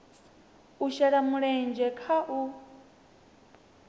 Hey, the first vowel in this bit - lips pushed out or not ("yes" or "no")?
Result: yes